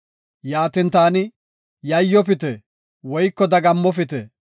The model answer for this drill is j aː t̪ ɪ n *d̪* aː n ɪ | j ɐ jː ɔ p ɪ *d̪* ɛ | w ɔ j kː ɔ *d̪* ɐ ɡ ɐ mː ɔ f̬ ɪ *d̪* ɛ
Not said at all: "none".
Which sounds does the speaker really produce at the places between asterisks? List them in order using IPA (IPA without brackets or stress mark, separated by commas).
t̪, t̪, d̪, t̪